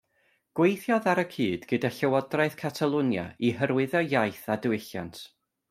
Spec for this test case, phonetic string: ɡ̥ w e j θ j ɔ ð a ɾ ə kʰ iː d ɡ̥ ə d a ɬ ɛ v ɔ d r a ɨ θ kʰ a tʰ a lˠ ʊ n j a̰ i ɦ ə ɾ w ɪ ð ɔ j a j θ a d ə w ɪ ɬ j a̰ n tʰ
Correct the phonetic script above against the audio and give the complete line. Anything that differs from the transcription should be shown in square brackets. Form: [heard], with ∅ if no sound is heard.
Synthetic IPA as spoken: ɡ̥ w e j θ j ɔ ð a ɾ ə kʰ iː d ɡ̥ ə d a ɬ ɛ [w] ɔ d r a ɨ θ kʰ a tʰ a lˠ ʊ n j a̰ i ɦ ə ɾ w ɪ ð ɔ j a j θ a d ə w ɪ ɬ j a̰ n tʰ